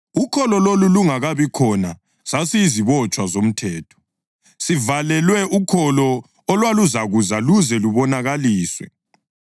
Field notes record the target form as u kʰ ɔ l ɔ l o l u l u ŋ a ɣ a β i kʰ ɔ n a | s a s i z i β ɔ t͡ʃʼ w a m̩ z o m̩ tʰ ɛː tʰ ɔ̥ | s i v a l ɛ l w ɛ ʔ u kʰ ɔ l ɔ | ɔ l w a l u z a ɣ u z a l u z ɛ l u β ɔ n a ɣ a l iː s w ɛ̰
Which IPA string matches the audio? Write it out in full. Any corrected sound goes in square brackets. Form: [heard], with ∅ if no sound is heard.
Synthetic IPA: u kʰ ɔ l ɔ l o l u l u ŋ a ɣ a β i kʰ ɔ n a | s a s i z i β ɔ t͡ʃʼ w a [∅] z o m̩ tʰ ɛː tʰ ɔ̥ | s i v a l ɛ l w ɛ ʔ u kʰ ɔ l ɔ | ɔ l w a l u z a ɣ u z a l u z ɛ l u β ɔ n a ɣ a l iː s w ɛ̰